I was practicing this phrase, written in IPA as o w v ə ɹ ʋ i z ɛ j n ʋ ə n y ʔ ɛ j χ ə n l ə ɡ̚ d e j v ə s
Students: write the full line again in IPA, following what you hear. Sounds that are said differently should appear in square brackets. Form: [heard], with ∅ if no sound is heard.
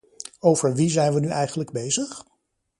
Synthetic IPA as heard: o w v ə ɹ ʋ i z ɛ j n ʋ ə n y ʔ ɛ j χ ə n l ə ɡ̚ [b] e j [z] ə [χ]